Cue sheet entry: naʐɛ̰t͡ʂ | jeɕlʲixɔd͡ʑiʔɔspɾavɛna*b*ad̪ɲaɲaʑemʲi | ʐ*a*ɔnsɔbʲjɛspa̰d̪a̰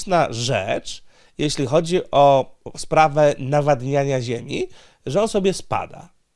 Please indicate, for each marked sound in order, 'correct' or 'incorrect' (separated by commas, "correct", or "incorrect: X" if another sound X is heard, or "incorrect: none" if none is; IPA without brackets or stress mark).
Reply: incorrect: v, incorrect: ɛ